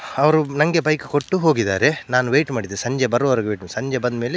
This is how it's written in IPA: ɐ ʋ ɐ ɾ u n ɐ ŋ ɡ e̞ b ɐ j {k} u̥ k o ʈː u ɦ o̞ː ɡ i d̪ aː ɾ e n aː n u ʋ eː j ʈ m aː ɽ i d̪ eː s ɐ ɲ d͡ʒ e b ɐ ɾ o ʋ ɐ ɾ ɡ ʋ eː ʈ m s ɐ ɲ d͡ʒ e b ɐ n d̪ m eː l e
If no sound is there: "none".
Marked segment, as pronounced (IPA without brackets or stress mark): k